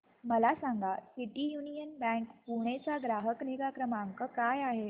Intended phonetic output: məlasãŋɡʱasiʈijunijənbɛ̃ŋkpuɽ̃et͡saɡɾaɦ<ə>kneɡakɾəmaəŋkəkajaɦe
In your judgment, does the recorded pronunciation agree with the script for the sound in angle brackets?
yes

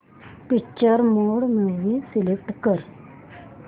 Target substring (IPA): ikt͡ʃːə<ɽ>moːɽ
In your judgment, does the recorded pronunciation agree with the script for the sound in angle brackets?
no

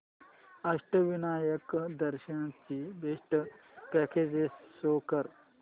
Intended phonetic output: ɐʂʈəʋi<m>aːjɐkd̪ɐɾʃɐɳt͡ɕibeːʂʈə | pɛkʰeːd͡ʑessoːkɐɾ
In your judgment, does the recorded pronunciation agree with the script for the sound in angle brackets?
no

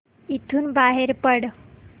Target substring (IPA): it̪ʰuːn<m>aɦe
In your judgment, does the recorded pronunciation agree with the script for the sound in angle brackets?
no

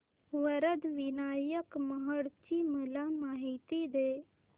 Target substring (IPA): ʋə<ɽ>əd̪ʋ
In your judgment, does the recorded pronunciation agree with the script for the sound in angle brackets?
no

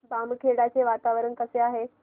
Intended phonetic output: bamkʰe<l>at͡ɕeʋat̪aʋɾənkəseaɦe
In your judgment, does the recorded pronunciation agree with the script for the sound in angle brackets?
no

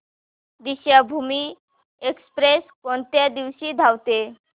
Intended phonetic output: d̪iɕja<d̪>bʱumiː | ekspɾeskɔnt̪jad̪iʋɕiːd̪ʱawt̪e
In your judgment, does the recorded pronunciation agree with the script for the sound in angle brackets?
no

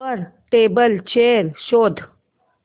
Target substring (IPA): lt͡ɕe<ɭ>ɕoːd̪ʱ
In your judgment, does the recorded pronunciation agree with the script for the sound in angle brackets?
no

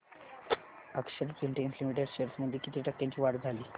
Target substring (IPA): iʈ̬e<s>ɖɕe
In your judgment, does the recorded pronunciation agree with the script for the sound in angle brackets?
no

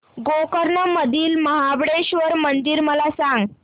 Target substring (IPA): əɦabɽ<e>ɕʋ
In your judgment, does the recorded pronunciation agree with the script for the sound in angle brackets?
yes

